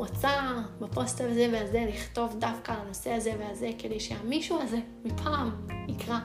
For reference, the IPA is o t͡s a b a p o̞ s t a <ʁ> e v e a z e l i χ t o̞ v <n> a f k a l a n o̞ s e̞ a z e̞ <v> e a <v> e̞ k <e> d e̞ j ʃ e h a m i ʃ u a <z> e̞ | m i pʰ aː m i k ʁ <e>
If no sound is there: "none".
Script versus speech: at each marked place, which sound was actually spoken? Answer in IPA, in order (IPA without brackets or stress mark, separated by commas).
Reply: z, d, v, z, e, z, a